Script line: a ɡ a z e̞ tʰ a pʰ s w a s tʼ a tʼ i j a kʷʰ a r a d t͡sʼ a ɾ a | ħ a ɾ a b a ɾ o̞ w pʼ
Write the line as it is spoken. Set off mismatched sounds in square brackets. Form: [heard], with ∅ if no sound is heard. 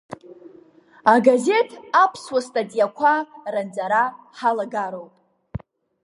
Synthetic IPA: a ɡ a z e̞ tʰ a pʰ s w a s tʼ a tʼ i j a kʷʰ a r a [n] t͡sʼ a ɾ a | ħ a [l] a [ɡ] a ɾ o̞ w pʼ